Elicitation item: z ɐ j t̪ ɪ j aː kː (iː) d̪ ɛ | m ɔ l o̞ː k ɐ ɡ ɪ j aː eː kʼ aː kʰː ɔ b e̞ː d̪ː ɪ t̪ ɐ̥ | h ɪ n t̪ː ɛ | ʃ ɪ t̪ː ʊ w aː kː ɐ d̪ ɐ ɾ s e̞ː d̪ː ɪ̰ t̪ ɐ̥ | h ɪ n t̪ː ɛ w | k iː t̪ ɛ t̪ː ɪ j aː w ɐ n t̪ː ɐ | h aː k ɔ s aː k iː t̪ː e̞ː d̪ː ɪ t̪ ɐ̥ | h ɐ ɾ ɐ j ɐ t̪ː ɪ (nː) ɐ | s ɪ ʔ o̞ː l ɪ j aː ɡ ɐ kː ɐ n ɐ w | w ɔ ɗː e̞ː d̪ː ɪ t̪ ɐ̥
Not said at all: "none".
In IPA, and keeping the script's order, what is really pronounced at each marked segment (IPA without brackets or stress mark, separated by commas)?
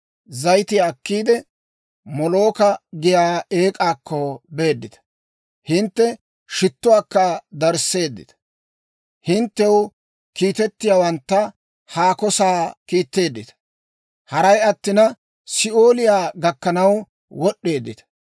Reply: iː, n